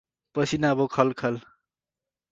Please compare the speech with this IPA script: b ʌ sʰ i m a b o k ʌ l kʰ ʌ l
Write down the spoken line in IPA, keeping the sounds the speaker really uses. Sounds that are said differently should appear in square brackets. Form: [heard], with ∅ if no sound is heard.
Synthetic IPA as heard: [p] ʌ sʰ i [n] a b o [kʰ] ʌ l kʰ ʌ l